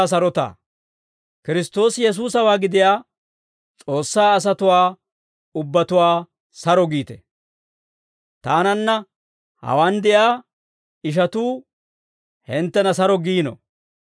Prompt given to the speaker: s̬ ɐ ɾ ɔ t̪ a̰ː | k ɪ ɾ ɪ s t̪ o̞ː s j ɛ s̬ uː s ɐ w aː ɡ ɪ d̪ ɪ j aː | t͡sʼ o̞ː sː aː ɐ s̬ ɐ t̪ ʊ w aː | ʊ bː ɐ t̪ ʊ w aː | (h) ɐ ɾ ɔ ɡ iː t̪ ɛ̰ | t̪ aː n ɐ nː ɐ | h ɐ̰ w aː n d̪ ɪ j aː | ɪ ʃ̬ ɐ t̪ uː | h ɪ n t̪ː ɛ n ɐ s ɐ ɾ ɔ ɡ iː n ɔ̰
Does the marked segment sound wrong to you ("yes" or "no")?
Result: yes